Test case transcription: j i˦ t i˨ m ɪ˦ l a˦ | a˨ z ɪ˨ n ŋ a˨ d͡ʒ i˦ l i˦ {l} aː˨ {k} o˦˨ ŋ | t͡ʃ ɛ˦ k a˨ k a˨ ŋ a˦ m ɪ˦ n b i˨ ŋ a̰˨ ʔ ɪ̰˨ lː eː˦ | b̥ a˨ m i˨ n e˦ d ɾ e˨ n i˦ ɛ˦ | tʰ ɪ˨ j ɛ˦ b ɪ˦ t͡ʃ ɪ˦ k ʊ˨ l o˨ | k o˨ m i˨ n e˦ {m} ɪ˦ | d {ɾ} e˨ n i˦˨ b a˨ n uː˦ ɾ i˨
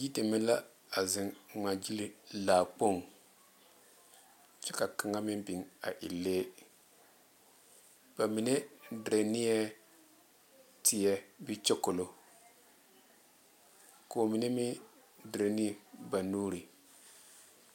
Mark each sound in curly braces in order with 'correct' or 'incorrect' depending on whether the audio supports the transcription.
correct, incorrect, correct, correct

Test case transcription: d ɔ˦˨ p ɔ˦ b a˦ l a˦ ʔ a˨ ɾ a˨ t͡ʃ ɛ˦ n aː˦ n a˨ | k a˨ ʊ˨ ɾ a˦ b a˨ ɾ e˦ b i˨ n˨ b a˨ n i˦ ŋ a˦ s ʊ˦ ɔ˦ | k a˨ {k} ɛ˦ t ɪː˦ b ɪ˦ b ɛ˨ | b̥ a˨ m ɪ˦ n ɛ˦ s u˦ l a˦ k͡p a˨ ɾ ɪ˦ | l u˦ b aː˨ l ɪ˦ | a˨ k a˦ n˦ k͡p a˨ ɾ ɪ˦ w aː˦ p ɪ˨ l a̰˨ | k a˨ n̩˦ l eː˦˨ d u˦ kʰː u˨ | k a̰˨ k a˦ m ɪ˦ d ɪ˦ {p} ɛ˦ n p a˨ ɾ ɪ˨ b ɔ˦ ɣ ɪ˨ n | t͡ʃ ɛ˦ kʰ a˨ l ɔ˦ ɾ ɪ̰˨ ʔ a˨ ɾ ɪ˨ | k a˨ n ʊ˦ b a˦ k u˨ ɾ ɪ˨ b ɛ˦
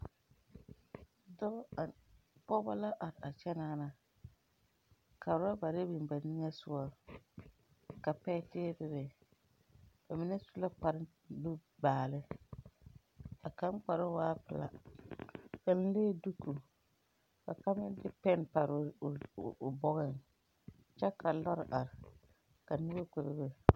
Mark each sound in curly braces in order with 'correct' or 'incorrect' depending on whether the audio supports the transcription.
incorrect, correct

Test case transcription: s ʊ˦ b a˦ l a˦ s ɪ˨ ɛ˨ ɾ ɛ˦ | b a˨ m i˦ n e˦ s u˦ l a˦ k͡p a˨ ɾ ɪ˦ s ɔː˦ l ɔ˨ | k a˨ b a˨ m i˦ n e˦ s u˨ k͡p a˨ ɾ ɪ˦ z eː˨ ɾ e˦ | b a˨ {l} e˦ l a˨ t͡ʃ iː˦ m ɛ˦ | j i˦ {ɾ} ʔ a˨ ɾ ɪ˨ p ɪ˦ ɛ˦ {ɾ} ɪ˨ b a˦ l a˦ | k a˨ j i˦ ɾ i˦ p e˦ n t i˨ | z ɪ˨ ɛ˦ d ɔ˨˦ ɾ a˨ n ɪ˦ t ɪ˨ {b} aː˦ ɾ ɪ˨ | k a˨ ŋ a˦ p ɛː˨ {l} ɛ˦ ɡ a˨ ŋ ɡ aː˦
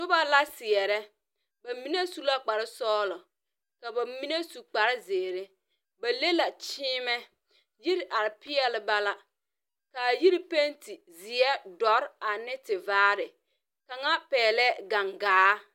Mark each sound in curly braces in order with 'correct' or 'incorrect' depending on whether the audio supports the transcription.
correct, correct, incorrect, incorrect, correct

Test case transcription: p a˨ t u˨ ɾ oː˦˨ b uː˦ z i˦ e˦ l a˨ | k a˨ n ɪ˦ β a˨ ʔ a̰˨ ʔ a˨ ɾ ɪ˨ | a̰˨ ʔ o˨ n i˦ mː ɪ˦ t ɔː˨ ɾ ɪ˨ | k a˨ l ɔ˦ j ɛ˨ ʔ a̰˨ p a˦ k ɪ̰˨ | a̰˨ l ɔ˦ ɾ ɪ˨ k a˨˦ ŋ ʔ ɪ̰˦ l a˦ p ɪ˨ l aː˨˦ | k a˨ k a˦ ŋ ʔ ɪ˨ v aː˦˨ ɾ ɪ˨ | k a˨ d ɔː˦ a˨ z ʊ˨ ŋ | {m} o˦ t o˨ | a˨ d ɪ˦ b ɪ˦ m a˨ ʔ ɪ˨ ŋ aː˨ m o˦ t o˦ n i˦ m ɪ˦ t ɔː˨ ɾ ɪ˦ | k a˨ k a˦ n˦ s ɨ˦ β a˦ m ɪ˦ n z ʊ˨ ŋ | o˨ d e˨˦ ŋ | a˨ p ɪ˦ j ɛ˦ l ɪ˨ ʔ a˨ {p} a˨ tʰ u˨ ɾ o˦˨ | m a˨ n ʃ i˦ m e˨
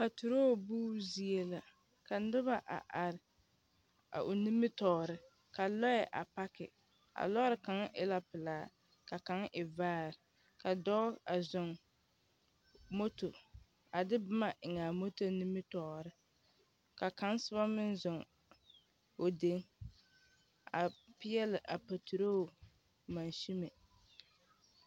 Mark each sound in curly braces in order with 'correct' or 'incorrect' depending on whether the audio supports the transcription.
correct, correct

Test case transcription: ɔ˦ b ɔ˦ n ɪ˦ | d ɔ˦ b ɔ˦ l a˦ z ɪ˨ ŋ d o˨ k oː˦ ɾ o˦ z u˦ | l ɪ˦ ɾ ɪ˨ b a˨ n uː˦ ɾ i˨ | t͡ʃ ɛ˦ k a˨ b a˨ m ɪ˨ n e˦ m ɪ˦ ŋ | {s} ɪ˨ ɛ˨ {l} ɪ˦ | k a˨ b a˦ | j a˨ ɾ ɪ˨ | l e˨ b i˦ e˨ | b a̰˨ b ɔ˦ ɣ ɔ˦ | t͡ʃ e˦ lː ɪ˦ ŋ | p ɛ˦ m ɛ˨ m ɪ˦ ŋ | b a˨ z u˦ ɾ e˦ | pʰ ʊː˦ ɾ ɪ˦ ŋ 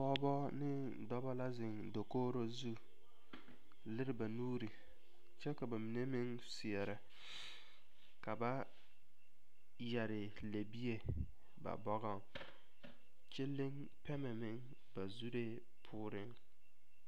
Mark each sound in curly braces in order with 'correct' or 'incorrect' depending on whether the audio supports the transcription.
correct, incorrect

